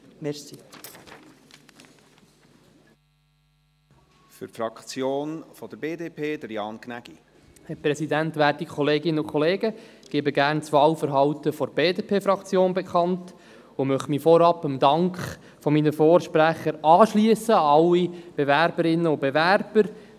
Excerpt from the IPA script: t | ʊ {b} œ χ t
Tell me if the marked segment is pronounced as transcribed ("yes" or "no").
no